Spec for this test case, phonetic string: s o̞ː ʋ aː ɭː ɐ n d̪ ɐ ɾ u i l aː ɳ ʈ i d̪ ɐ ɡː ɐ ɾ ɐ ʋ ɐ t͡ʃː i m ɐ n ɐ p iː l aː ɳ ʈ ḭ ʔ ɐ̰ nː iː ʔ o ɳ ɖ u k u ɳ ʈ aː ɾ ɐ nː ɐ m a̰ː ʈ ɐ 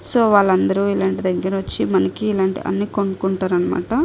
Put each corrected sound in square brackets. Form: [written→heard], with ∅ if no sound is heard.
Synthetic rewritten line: s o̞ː ʋ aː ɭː ɐ n d̪ ɐ ɾ u i l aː ɳ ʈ i d̪ ɐ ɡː ɐ ɾ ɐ ʋ ɐ t͡ʃː i m ɐ n ɐ [p→k] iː l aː ɳ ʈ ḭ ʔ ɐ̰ nː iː [ʔ→k] o ɳ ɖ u k u ɳ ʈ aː ɾ ɐ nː ɐ m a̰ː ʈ ɐ